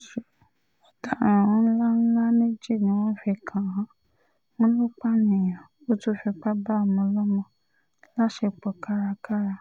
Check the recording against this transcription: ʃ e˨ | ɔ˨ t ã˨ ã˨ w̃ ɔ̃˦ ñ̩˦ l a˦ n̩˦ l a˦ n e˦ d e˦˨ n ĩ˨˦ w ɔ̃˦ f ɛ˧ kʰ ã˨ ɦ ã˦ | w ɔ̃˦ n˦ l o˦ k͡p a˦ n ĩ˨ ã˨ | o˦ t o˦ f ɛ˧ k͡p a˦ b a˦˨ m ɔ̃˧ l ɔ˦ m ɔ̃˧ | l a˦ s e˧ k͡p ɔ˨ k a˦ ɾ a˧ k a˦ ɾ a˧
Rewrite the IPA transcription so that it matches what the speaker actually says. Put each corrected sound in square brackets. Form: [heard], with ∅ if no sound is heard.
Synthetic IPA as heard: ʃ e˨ | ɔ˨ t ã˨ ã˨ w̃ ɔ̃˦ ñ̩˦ l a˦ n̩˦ l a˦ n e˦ [d͡ʒ] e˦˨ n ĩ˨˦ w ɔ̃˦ f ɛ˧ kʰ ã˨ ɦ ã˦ | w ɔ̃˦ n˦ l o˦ k͡p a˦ n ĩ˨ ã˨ | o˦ t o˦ f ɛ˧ k͡p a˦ b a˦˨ m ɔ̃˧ l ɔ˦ m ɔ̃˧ | l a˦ [ʃ] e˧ k͡p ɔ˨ k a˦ ɾ a˧ k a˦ ɾ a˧